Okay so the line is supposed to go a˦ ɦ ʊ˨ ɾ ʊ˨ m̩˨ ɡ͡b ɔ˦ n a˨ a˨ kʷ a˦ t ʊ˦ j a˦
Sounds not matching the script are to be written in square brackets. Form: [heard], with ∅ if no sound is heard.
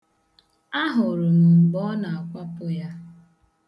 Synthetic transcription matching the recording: a˦ ɦ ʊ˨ ɾ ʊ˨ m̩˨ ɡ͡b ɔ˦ n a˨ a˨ kʷ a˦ [p] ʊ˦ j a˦